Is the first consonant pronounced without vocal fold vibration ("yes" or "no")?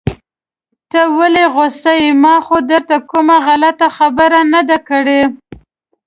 yes